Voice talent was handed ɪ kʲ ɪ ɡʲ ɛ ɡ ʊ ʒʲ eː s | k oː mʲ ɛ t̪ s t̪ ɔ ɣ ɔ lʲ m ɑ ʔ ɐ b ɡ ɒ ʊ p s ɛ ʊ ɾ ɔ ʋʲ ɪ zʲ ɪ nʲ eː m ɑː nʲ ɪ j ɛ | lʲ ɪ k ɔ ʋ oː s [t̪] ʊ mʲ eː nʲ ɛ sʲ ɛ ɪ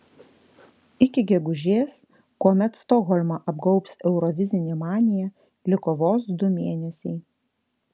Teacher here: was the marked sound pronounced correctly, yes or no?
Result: no